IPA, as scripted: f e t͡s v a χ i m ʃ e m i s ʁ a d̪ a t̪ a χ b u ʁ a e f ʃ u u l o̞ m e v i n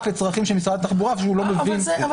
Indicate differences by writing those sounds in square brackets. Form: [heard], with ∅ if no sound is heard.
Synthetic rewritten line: f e t͡s [ʁ] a χ i m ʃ e m i s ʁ a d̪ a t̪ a χ b u ʁ a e f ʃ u u l o̞ m e v i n